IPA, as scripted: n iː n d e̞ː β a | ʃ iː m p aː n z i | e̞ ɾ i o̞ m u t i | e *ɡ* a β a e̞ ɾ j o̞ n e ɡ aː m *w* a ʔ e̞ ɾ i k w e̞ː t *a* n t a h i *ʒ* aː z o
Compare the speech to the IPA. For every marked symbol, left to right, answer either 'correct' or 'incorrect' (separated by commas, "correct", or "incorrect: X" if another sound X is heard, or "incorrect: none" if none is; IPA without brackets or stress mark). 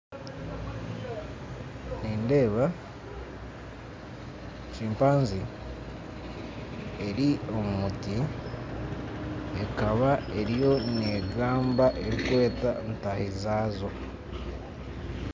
incorrect: k, incorrect: b, correct, incorrect: z